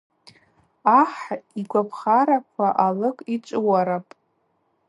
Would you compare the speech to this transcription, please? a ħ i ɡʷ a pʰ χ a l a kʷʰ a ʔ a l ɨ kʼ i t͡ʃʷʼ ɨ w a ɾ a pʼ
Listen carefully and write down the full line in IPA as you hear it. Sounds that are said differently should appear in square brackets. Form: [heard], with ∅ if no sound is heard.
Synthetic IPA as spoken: a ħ i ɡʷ a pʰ χ a [ɾ] a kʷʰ a ʔ a l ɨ kʼ i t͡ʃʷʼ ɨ w a ɾ a pʼ